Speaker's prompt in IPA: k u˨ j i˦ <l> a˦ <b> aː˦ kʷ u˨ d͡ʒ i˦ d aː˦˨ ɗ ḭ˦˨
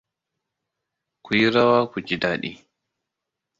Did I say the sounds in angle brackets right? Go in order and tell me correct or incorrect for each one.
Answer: incorrect, incorrect

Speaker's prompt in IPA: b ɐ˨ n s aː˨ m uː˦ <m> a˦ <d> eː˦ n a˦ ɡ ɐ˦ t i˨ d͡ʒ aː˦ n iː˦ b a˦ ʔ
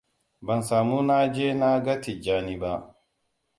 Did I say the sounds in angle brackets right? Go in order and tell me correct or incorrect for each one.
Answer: incorrect, incorrect

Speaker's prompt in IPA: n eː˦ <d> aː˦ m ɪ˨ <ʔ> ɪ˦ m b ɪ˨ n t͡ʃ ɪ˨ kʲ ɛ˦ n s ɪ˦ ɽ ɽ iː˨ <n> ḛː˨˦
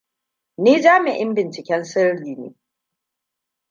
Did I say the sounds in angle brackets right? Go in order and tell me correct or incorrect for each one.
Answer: incorrect, correct, correct

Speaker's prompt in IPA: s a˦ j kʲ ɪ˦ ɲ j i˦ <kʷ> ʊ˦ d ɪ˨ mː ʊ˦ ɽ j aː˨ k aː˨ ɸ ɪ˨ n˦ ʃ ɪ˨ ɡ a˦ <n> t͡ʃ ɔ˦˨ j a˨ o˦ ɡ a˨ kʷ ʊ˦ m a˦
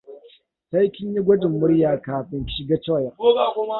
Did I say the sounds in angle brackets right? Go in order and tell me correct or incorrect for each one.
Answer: incorrect, incorrect

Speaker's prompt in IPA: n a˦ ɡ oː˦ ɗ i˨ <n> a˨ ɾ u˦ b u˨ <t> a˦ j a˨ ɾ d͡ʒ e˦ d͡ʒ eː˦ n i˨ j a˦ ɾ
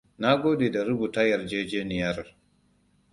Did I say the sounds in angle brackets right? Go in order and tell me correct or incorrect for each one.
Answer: incorrect, correct

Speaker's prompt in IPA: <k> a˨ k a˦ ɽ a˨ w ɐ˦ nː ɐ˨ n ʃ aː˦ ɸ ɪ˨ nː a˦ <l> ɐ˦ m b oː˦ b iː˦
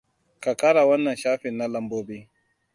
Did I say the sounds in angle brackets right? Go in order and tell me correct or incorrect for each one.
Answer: correct, correct

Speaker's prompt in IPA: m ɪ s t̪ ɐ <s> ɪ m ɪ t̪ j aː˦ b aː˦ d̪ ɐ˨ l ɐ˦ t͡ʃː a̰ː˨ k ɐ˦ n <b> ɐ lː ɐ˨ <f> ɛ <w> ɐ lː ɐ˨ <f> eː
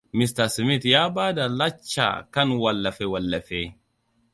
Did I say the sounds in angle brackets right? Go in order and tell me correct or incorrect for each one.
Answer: correct, incorrect, correct, correct, correct

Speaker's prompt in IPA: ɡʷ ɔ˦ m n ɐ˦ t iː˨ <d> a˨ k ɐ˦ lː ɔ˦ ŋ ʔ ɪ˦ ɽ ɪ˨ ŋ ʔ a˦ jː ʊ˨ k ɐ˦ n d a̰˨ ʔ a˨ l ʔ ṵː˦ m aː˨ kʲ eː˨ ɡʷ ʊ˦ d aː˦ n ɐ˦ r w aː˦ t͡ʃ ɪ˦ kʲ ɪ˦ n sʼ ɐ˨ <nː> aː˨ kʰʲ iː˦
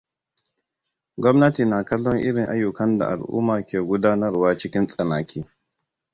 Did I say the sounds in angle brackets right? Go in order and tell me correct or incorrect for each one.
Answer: incorrect, incorrect

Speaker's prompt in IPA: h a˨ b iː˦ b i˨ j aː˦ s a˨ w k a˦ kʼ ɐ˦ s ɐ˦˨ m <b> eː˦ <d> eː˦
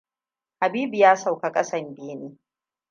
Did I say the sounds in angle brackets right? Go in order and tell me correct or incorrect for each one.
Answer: correct, incorrect

